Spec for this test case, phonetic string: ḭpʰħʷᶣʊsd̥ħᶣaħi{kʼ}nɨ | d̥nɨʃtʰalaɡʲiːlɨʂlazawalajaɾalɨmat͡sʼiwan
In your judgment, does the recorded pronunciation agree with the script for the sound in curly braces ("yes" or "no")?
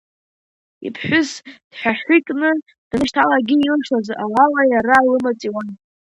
yes